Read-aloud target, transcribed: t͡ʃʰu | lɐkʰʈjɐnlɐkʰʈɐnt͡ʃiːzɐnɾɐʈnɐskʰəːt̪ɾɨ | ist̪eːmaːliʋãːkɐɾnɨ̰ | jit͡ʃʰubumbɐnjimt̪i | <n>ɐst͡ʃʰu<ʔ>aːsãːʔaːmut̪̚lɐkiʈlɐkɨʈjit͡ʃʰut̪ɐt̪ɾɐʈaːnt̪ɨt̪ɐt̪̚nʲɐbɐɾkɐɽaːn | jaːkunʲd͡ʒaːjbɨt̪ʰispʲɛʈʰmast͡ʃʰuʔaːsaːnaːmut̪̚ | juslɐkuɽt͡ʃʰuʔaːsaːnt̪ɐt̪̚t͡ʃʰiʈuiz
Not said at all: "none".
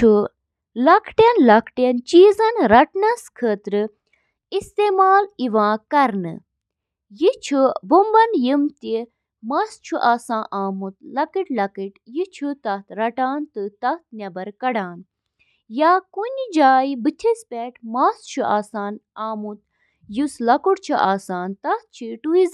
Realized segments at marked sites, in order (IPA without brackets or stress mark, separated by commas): m, ʔ